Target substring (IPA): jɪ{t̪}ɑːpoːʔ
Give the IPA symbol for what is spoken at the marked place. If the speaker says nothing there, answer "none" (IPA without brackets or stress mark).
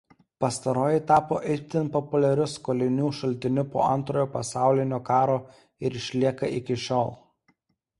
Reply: t̪